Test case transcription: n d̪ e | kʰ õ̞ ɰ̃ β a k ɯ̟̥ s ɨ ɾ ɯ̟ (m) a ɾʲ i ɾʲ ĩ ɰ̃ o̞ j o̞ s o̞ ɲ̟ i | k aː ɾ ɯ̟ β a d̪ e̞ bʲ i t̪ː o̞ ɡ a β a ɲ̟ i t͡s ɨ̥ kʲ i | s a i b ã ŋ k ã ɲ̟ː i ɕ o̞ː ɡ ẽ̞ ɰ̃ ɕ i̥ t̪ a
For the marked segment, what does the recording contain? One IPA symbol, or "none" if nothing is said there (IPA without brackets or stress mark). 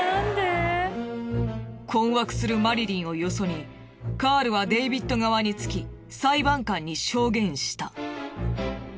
m